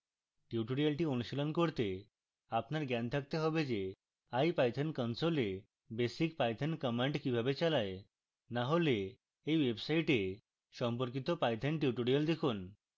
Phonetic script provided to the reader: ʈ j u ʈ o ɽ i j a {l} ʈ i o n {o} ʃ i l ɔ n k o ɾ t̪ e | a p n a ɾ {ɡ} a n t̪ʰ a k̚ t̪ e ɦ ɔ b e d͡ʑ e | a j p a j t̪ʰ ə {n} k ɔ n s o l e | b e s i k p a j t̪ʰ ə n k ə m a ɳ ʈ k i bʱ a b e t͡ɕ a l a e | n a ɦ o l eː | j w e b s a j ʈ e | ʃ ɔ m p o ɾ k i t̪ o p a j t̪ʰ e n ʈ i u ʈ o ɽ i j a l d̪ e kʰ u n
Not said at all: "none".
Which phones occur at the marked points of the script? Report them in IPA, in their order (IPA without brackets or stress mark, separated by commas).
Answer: l, u, ɡ, n